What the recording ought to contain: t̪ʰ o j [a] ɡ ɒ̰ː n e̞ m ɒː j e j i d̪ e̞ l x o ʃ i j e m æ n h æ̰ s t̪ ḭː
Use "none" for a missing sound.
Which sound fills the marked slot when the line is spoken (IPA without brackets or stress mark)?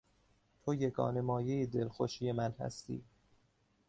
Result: e